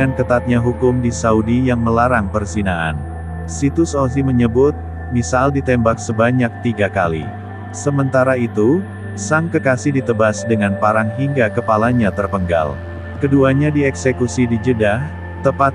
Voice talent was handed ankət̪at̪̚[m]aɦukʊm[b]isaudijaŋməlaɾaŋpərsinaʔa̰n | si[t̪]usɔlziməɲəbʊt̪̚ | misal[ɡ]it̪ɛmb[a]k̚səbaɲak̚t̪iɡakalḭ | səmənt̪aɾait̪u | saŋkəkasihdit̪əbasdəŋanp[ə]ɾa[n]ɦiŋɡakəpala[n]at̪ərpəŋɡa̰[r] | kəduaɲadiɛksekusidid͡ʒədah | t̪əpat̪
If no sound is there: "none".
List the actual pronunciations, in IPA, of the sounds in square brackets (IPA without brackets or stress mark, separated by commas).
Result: ɲ, d, t̪, d, a, a, ŋ, ɲ, l